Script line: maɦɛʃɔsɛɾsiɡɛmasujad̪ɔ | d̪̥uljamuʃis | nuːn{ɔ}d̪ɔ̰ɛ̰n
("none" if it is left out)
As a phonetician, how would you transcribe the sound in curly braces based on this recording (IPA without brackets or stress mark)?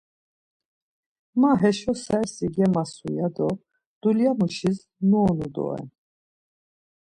u